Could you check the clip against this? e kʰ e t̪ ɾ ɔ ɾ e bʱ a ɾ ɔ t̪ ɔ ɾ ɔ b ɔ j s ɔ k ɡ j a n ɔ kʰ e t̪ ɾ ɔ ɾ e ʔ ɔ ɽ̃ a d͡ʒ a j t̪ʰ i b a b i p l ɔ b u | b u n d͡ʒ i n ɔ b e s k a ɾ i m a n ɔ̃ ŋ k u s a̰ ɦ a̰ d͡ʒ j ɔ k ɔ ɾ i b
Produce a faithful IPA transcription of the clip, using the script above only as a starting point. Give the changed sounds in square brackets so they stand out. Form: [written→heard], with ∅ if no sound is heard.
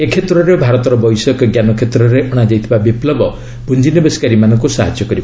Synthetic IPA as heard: e kʰ e t̪ ɾ ɔ ɾ e bʱ a ɾ ɔ t̪ ɔ ɾ ɔ b ɔ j s ɔ k ɡ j a n ɔ kʰ e t̪ ɾ ɔ ɾ e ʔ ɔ ɽ̃ a d͡ʒ a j t̪ʰ i b a b i p l ɔ b [u→ɔ] | b u n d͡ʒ i n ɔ b e s k a ɾ i m a n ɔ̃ ŋ k u s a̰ ɦ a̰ d͡ʒ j ɔ k ɔ ɾ i b